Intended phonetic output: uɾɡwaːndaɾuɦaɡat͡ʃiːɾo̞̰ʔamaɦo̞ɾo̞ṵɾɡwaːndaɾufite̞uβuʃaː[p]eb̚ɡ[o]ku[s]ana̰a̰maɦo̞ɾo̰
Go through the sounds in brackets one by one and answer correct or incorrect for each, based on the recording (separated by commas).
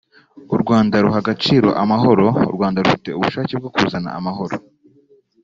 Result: incorrect, correct, incorrect